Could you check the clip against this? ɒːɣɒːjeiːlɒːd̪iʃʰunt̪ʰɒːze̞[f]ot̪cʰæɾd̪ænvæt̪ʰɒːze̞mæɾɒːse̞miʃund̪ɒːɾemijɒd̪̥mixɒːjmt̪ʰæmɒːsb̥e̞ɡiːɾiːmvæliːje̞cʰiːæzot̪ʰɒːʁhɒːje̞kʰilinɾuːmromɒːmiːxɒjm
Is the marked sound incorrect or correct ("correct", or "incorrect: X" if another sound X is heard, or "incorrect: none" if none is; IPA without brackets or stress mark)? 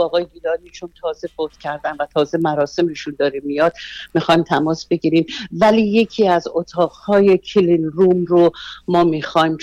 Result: correct